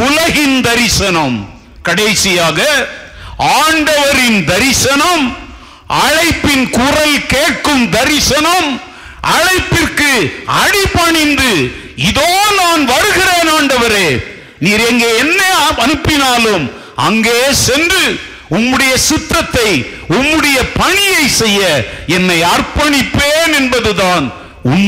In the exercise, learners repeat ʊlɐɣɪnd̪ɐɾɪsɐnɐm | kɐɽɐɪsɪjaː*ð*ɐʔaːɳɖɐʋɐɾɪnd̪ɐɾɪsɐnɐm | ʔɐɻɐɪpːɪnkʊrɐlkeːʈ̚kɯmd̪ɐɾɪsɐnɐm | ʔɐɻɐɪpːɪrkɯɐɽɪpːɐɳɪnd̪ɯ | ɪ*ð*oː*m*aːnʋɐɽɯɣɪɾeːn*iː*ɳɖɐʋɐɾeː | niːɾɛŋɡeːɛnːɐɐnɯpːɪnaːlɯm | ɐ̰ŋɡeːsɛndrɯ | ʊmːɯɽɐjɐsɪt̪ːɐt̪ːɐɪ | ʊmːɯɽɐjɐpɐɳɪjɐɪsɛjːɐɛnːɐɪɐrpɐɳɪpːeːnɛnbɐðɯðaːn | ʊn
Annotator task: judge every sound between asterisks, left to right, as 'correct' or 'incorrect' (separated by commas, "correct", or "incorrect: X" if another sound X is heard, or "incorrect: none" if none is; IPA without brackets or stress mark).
incorrect: ɣ, correct, incorrect: n, incorrect: aː